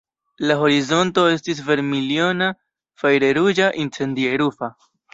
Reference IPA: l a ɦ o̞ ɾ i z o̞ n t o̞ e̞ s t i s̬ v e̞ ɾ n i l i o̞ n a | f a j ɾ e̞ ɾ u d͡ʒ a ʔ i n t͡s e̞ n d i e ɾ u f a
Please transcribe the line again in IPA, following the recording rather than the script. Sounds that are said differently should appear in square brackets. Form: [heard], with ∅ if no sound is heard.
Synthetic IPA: l a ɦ o̞ ɾ i z o̞ n t o̞ e̞ s t i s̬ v e̞ ɾ [m] i l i o̞ n a | f a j ɾ e̞ ɾ u d͡ʒ a ʔ i n t͡s e̞ n d i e ɾ u f a